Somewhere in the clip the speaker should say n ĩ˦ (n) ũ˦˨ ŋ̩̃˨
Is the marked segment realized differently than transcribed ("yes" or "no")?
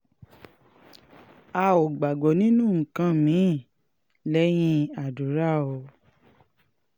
no